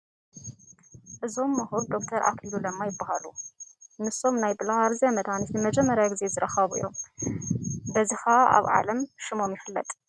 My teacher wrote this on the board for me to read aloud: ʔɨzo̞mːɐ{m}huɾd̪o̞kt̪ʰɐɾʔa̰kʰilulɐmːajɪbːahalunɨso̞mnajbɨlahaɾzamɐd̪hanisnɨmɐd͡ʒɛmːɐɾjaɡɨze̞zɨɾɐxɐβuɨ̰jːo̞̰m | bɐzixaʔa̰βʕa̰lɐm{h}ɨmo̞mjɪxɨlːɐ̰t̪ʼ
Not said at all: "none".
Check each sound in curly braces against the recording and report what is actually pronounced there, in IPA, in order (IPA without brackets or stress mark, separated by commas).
none, ʃ